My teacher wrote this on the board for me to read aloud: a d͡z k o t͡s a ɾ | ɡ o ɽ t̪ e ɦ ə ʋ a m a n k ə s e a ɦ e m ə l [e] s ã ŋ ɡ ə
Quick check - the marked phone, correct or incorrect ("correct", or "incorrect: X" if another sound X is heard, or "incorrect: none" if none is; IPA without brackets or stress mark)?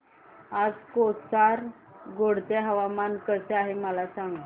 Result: incorrect: a